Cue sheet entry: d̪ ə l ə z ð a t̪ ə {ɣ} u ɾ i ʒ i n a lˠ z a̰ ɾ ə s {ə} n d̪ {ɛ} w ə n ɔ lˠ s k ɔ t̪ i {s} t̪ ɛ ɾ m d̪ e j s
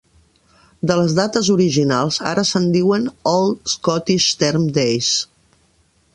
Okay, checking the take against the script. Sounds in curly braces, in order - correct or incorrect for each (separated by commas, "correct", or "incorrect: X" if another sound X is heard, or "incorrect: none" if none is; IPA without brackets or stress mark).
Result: incorrect: z, correct, incorrect: i, incorrect: ʃ